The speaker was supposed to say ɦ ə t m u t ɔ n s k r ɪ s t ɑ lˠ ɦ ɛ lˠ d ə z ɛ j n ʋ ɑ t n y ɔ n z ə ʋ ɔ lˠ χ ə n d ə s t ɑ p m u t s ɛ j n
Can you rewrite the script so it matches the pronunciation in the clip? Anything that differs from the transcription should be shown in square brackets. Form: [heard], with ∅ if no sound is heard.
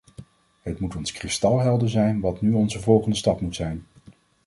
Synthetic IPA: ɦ ə t m u t ɔ n s k r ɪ s t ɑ lˠ ɦ ɛ lˠ d ə z ɛ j n ʋ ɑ t n y ɔ n z ə [v] ɔ lˠ χ ə n d ə s t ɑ p m u t s ɛ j n